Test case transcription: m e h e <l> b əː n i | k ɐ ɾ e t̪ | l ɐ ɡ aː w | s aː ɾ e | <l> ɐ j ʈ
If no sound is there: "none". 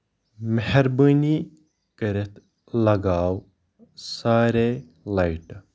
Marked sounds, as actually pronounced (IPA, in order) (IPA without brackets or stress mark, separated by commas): ɾ, l